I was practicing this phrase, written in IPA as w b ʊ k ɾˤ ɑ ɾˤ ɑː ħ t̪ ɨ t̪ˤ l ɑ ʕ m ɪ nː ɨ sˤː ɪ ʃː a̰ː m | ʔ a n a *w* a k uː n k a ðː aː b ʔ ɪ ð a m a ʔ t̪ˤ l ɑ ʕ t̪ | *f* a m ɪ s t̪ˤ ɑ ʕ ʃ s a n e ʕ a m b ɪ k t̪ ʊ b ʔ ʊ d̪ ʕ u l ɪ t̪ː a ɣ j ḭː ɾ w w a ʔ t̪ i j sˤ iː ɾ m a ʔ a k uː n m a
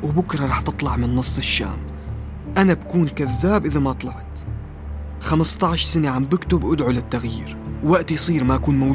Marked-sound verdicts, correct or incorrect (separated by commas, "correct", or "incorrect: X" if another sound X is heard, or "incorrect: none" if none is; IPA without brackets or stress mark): incorrect: b, incorrect: x